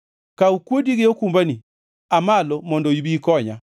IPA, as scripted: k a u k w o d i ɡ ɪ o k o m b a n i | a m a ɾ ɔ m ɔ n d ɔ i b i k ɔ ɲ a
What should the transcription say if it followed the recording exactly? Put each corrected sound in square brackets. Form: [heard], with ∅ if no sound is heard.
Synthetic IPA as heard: k a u k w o d i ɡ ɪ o k [u] m b a n i | a m a [l] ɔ m ɔ n d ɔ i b i k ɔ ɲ a